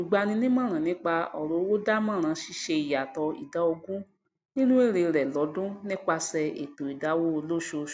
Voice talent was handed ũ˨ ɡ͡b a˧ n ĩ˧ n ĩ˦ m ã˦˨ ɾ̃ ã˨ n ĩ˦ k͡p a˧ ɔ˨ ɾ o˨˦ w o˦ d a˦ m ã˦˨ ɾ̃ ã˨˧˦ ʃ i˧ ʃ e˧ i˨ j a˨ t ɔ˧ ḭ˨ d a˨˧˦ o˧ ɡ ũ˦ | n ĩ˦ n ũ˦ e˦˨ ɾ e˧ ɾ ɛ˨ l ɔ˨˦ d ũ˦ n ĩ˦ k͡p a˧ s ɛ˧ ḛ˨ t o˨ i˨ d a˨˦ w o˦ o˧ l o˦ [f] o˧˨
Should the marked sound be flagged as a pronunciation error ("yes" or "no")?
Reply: yes